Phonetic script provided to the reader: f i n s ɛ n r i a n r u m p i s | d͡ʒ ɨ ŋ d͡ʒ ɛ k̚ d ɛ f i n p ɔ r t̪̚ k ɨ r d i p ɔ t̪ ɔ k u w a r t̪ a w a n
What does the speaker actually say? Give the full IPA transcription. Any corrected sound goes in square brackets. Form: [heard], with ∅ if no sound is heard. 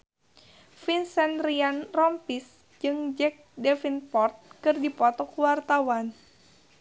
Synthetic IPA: f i n s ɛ n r i a n r [ɔ] m p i s | d͡ʒ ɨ ŋ d͡ʒ ɛ k̚ d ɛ f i n p ɔ r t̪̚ k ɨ r d i p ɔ t̪ ɔ k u w a r t̪ a w a n